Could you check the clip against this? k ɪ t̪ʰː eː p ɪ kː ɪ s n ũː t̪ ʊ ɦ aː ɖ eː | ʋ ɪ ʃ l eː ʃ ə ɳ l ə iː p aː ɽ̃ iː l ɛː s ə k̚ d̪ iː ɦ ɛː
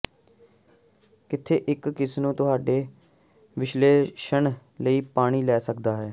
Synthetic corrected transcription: k ɪ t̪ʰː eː ʔ ɪ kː ɪ s n ũː t̪ ʊ ɦ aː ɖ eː | ʋ ɪ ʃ l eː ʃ ə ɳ l ə iː p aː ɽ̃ iː l ɛː s ə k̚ d̪ aː ɦ ɛː

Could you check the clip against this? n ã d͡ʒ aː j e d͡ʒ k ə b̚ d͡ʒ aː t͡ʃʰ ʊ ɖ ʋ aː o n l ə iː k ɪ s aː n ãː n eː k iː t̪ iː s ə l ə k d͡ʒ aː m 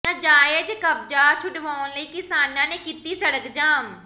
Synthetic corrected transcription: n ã d͡ʒ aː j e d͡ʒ k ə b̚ d͡ʒ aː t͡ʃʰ ʊ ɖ ʋ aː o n l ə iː k ɪ s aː n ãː n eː k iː t̪ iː s ə ɽ ə k d͡ʒ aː m

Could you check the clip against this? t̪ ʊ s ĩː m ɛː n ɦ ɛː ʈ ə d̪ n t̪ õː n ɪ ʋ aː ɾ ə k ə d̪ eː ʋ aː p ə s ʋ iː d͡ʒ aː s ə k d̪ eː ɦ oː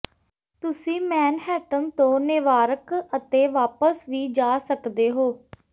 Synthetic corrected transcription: t̪ ʊ s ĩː m ɛː n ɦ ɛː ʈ ə n t̪ õː n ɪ ʋ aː ɾ ə k ə t̪ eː ʋ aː p ə s ʋ iː d͡ʒ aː s ə k d̪ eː ɦ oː

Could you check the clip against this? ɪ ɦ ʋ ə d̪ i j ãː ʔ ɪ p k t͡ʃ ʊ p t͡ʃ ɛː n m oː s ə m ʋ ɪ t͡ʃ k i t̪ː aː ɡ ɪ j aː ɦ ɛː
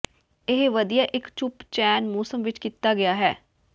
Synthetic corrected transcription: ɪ ɦ ʋ ə d̪ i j aː ʔ ɪ k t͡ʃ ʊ p t͡ʃ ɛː n m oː s ə m ʋ ɪ t͡ʃ k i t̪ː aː ɡ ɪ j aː ɦ ɛː

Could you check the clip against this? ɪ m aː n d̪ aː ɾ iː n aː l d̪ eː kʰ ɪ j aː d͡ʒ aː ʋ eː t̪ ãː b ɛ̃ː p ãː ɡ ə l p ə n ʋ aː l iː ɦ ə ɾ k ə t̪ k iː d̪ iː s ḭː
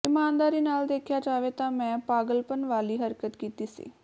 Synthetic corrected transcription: ɪ m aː n d̪ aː ɾ iː n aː l d̪ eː kʰ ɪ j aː d͡ʒ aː ʋ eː t̪ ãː m ɛ̃ː p aː ɡ ə l p ə n ʋ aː l iː ɦ ə ɾ k ə t̪ k iː t̪ iː s ḭː

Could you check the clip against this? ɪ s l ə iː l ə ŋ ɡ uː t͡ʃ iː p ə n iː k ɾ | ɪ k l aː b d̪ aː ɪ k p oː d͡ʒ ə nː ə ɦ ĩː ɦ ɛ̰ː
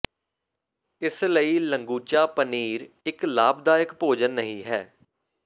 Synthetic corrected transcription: ɪ s l ə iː l ə ŋ ɡ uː t͡ʃ aː p ə n iː ɾ | ɪ k l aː b d̪ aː ɪ k p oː d͡ʒ ə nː ə ɦ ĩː ɦ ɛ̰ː

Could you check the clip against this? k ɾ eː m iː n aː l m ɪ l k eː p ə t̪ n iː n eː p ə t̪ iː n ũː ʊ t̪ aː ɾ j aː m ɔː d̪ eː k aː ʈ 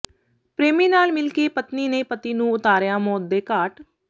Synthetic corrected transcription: p ɾ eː m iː n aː l m ɪ l k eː p ə t̪ n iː n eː p ə t̪ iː n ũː ʊ t̪ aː ɾ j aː m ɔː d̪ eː k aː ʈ

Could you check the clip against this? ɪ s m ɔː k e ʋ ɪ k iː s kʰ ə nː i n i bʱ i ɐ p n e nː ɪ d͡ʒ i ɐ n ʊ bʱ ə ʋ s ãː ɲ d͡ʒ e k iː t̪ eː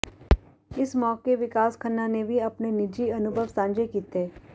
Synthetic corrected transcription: ɪ s m ɔː k e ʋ ɪ k aː s kʰ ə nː a n e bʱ i ɐ p n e n ɪ d͡ʒ i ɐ n ʊ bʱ ə ʋ s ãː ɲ d͡ʒ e k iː t̪ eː

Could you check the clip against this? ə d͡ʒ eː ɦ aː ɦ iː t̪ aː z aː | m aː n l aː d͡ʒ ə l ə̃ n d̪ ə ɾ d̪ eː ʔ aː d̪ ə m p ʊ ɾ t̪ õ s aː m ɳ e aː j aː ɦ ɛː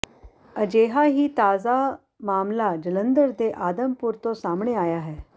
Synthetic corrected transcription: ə d͡ʒ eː ɦ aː ɦ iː t̪ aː z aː | m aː m l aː d͡ʒ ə l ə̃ n d̪ ə ɾ d̪ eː ʔ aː d̪ ə m p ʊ ɾ t̪ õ s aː m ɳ e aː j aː ɦ ɛː

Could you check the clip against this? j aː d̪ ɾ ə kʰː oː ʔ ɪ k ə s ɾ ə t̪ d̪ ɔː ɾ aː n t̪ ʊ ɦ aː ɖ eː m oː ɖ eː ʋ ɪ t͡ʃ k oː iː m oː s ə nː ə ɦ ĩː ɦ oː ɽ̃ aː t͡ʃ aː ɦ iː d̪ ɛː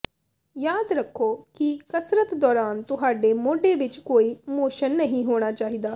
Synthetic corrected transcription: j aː d̪ ɾ ə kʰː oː k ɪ k ə s ɾ ə t̪ d̪ ɔː ɾ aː n t̪ ʊ ɦ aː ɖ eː m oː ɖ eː ʋ ɪ t͡ʃ k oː iː m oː ʃ ə nː ə ɦ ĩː ɦ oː ɽ̃ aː t͡ʃ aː ɦ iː d̪ aː

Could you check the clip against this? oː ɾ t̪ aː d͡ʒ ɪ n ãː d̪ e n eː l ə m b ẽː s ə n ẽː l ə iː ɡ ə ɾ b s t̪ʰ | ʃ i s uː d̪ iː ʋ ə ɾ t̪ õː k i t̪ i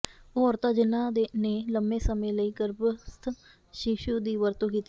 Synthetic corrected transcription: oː ɾ t̪ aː d͡ʒ ɪ n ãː d̪ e n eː l ə m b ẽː s ə m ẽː l ə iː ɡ ə ɾ b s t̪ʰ | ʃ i ʃ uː d̪ iː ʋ ə ɾ t̪ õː k iː t̪ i

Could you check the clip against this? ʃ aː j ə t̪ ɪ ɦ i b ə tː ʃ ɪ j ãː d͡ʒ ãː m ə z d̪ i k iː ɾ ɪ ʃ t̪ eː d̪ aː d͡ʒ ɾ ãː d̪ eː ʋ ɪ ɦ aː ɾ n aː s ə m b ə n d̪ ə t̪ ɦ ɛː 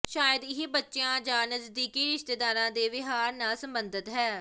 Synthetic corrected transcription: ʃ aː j ə d̪ ɪ ɦ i b ə tː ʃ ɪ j ãː d͡ʒ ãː n ə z d̪ iː k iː ɾ ɪ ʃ t̪ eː d̪ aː ɾ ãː d̪ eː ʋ ɪ ɦ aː ɾ n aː s ə m b ə n d̪ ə t̪ ɦ ɛː

